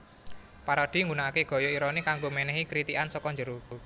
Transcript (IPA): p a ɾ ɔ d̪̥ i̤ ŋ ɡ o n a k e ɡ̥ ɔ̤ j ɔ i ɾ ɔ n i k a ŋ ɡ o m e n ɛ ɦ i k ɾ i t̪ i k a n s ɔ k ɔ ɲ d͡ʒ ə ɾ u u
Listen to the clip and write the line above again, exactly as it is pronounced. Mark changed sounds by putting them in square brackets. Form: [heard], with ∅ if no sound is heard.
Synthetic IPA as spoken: p a ɾ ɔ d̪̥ i̤ ŋ ɡ [u] n a k e ɡ̥ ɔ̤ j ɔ i ɾ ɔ n i k a ŋ ɡ o m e n ɛ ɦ i k ɾ i t̪ i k a n s ɔ k ɔ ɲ d͡ʒ ə ɾ u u